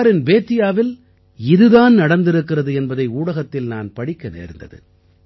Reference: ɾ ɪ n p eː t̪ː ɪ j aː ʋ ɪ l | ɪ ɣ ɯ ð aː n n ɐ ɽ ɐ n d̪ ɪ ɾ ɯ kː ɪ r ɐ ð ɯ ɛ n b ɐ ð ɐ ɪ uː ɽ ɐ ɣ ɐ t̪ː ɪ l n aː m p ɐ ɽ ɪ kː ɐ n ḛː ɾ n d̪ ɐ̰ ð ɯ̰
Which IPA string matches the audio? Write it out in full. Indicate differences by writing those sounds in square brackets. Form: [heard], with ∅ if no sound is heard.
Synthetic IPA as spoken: ɾ ɪ n [b] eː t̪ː ɪ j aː ʋ ɪ l | ɪ [ð] ɯ ð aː n n ɐ ɽ ɐ n d̪ ɪ ɾ ɯ kː ɪ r ɐ ð ɯ ɛ n b ɐ ð ɐ ɪ uː ɽ ɐ ɣ ɐ t̪ː ɪ l n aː [n] p ɐ ɽ ɪ kː ɐ n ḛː ɾ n d̪ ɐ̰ ð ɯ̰